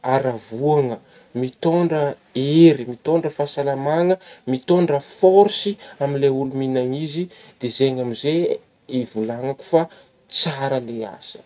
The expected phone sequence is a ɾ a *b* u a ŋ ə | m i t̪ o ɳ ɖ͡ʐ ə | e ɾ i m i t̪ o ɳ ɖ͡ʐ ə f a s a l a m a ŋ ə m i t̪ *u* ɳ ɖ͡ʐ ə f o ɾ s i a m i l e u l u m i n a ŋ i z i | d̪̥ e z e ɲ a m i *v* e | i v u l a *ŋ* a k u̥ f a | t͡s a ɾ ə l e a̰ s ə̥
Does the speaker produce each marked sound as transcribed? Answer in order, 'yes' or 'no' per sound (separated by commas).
no, no, no, yes